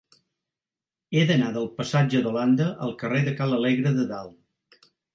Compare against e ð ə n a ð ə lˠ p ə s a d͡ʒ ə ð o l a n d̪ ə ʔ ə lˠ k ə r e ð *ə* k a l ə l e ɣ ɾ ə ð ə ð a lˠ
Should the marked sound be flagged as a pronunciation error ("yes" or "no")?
no